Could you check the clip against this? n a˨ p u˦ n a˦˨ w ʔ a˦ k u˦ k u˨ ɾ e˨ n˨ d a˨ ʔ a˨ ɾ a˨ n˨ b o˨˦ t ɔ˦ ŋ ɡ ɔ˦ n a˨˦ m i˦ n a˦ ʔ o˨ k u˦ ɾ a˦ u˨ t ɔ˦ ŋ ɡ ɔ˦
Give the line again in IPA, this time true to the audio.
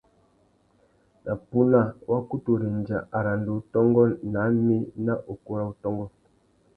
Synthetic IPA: n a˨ p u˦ n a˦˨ w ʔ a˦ k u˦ t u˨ ɾ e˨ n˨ d͡ʒ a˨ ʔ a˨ ɾ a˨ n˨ d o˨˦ t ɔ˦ ŋ ɡ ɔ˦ n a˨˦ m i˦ n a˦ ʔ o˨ k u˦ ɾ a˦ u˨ t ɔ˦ ŋ ɡ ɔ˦

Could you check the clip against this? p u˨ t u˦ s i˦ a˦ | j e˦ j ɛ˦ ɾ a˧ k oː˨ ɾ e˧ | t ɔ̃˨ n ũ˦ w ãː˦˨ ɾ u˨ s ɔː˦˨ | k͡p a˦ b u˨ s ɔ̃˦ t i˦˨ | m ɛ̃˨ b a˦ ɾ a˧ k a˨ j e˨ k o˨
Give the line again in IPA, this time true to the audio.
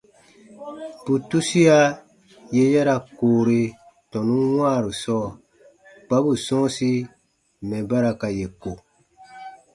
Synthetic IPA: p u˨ t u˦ s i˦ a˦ | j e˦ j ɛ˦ ɾ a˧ k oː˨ ɾ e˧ | t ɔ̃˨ n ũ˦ w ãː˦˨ ɾ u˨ s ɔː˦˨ | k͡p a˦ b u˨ s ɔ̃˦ s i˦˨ | m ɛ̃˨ b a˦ ɾ a˧ k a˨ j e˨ k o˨

